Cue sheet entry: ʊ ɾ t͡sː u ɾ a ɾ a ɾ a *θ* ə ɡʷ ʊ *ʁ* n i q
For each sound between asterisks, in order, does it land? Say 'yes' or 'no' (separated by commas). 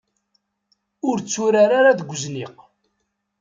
no, no